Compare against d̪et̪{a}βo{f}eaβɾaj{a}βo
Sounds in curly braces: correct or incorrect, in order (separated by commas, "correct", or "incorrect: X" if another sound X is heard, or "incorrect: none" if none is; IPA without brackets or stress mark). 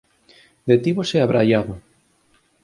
incorrect: i, incorrect: s, correct